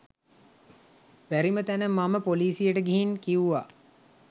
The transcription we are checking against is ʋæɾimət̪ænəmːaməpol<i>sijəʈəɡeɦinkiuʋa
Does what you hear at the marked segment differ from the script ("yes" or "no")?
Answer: yes